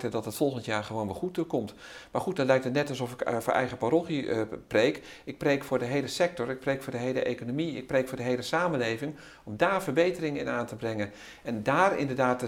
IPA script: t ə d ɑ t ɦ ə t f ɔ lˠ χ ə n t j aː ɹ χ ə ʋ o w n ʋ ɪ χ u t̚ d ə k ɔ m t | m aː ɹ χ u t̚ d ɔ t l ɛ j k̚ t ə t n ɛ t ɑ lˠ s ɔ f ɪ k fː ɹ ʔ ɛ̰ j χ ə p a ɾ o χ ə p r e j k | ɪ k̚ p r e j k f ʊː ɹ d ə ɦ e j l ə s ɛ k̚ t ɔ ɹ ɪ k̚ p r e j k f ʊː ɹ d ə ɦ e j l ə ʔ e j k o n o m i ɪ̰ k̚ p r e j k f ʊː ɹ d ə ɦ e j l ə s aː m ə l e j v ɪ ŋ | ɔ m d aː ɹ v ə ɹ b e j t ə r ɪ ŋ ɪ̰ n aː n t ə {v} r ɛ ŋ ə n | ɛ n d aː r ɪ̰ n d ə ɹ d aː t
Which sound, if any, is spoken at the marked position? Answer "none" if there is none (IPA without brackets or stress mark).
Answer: b